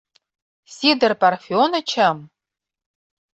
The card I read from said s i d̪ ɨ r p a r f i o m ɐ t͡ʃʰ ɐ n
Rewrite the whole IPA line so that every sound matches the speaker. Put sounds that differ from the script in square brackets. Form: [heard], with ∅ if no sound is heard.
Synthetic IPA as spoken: s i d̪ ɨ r p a r f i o [n] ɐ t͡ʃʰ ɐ [m]